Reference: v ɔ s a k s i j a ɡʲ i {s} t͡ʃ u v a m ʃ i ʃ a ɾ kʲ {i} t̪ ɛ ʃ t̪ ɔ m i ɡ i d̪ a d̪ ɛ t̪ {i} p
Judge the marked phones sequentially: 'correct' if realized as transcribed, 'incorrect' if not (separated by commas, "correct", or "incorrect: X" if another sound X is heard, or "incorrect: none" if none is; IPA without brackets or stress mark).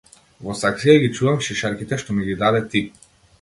incorrect: none, correct, correct